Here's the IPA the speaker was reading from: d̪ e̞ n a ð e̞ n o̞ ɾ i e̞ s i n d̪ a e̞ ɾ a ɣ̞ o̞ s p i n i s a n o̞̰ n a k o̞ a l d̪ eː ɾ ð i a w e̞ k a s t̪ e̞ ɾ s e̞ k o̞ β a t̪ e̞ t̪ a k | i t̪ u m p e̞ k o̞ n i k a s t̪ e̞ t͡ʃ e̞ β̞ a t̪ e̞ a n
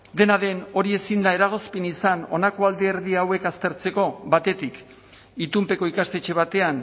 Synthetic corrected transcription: d̪ e̞ n a ð e̞ n o̞ ɾ i e̞ s i n d̪ a e̞ ɾ a ɣ̞ o̞ s p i n i s a n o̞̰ n a k o̞ a l d̪ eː ɾ ð i a w e̞ k a s t̪ e̞ ɾ t͡s e̞ k o̞ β a t̪ e̞ t̪ i k | i t̪ u m p e̞ k o̞ i k a s t̪ e̞ t͡ʃ e̞ β̞ a t̪ e̞ a n